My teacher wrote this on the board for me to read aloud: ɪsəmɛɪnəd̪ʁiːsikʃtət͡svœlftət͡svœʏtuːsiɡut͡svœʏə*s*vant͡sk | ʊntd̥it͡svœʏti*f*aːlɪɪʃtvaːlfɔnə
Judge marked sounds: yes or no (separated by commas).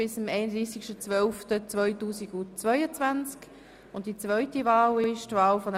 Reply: no, no